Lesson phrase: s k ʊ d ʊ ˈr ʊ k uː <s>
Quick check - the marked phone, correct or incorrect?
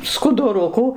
incorrect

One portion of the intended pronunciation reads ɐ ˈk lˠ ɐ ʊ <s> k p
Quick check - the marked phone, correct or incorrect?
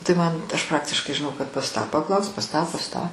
correct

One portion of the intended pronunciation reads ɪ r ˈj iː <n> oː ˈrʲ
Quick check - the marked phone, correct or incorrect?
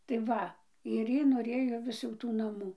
correct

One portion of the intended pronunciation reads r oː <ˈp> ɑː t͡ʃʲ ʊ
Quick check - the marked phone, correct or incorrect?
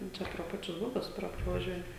correct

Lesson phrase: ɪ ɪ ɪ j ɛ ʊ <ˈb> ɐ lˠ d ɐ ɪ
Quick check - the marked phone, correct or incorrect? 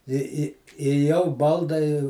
correct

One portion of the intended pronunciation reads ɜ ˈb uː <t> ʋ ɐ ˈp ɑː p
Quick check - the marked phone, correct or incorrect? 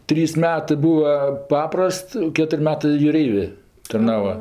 incorrect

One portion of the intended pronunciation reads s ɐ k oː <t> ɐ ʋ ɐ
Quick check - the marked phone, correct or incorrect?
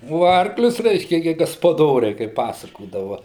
incorrect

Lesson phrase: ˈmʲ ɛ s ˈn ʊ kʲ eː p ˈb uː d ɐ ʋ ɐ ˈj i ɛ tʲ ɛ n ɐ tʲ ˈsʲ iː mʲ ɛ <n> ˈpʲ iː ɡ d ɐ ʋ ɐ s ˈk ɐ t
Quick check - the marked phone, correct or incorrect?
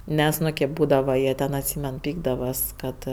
correct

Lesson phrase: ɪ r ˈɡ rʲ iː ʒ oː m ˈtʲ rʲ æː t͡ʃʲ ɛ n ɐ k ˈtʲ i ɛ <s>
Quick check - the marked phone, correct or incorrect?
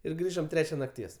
correct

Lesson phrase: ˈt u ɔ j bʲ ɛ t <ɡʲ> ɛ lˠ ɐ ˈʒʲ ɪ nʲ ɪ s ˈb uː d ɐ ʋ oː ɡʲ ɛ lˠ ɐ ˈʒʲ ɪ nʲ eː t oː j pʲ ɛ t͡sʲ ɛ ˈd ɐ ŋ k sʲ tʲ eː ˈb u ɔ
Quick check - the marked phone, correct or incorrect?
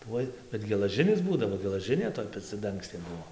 correct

